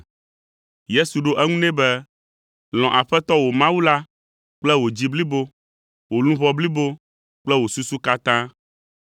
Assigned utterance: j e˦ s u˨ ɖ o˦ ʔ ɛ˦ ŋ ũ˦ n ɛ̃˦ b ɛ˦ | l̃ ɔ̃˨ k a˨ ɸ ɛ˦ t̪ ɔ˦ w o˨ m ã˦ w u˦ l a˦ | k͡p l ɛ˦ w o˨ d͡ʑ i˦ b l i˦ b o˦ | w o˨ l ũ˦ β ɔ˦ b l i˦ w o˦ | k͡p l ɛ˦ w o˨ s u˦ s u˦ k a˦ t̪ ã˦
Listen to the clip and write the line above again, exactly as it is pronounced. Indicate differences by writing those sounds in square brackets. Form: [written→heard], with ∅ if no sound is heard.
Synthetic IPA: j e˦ s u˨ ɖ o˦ ʔ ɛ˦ ŋ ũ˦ n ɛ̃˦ b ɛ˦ | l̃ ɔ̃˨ [k→ʔ] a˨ ɸ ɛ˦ t̪ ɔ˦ w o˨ m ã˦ w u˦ l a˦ | k͡p l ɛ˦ w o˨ d͡ʑ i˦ b l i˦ b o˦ | w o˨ l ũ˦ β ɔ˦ b l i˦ [w→b] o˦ | k͡p l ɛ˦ w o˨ s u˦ s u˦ k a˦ t̪ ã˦